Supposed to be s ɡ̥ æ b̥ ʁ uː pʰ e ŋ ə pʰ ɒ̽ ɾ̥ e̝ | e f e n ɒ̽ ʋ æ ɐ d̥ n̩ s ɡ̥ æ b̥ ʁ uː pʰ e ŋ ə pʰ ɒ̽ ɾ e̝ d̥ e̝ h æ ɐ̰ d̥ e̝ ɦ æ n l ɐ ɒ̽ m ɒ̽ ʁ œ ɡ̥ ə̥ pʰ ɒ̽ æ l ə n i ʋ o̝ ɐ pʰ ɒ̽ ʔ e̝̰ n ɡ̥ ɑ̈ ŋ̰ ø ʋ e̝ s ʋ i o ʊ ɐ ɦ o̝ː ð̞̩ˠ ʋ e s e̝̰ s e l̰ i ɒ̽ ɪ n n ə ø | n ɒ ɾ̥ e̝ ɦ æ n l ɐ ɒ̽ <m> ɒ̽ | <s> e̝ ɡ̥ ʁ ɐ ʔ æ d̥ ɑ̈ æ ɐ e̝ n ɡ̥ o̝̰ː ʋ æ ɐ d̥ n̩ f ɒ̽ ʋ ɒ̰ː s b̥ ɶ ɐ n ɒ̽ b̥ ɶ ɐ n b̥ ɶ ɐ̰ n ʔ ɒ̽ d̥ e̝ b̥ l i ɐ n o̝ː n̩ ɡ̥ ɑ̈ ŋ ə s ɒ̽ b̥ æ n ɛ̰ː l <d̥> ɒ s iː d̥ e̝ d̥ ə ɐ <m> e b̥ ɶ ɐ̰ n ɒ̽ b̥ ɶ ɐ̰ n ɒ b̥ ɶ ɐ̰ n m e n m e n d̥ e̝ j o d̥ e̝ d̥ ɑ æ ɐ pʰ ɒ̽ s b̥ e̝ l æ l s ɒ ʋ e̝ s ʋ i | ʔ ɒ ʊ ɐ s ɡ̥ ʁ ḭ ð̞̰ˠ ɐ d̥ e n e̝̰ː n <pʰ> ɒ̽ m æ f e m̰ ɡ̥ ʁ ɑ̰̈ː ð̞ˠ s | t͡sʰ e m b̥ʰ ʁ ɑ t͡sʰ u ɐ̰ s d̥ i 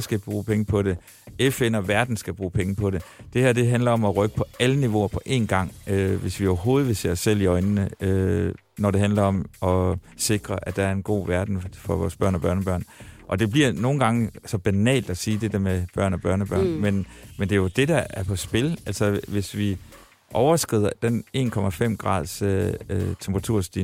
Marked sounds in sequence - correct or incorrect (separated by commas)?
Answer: correct, correct, correct, correct, incorrect